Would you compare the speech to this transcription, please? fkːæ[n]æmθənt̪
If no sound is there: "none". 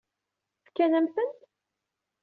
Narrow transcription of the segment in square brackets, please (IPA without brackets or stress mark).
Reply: n